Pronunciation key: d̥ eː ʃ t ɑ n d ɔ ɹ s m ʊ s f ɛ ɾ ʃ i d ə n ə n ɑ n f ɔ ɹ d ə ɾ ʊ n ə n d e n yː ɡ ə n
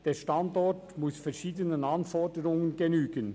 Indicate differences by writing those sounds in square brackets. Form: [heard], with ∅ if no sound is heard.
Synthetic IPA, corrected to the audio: d̥ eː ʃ t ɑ n d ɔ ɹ [t] m ʊ s f ɛ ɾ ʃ [iː] d ə n ə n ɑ n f ɔ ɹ d ə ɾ ʊ [ŋ] ə n [ɡ] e n yː ɡ ə n

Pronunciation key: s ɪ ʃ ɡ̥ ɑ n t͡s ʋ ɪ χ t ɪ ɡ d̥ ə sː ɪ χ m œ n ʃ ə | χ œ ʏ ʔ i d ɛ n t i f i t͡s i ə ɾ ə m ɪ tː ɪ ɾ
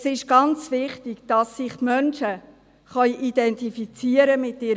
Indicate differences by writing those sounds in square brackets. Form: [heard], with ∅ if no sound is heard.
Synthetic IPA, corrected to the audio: s ɪ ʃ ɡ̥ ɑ n t͡s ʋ ɪ χ t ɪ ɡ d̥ [ɑ] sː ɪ χ m œ n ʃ ə | χ œ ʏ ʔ i d ɛ n t i f i t͡s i ə ɾ ə m ɪ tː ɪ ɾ

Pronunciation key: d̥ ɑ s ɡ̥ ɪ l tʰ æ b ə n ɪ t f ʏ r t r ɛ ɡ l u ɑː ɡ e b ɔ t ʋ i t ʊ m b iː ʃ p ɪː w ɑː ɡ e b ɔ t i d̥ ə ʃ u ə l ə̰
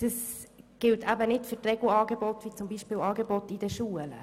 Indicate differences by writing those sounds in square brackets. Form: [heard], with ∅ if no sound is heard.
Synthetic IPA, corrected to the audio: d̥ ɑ s ɡ̥ ɪ l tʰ æ b ə n ɪ t f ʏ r t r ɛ ɡ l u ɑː ɡ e b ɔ t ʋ i [t͡s] ʊ m b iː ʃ p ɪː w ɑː ɡ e b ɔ t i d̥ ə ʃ u ə l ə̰

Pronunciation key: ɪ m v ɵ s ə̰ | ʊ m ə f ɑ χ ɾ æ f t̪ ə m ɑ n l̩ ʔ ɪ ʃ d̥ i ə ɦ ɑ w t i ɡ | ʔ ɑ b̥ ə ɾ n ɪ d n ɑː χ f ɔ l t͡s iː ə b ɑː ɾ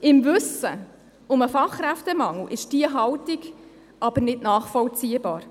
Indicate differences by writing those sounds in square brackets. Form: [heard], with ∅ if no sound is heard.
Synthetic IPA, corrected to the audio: ɪ m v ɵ s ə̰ | ʊ m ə f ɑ χ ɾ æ f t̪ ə m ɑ [ŋ] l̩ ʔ ɪ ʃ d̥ i ə ɦ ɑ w t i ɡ | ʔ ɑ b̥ ə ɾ n ɪ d n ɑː χ f ɔ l t͡s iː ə b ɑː ɾ

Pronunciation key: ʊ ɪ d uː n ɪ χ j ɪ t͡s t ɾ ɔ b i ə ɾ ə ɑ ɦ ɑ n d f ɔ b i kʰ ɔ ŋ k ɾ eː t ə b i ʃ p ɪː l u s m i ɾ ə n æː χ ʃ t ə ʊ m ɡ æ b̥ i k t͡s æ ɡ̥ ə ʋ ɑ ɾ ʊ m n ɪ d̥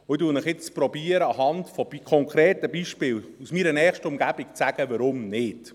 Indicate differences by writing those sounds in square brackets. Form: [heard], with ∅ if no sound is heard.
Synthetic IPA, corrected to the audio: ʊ ɪ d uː n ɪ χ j ɪ t͡s [p] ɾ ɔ b i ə ɾ ə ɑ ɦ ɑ n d f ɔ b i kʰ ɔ ŋ k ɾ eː t ə b i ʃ p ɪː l u s m i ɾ ə n [ɛː] χ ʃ t ə ʊ m ɡ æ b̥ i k t͡s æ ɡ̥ ə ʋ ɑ ɾ ʊ m n ɪ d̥

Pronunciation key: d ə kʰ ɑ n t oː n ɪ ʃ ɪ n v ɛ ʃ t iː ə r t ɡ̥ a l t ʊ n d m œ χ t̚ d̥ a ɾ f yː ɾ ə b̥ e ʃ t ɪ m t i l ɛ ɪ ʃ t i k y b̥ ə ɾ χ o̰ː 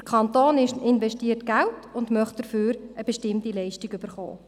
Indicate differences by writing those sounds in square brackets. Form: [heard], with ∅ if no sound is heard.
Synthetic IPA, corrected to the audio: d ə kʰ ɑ n t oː n ɪ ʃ ɪ n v ɛ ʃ t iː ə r t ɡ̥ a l t ʊ n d m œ χ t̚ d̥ [ə] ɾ f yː ɾ ə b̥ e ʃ t ɪ m t i l ɛ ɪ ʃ t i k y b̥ ə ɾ χ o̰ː

